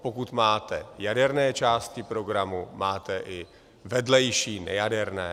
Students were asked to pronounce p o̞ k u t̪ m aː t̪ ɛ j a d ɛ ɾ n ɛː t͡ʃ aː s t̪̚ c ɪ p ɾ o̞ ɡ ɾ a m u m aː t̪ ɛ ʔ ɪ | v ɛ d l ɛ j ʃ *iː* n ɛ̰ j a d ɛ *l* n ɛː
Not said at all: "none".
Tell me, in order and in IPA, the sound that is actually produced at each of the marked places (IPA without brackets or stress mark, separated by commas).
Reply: iː, ɾ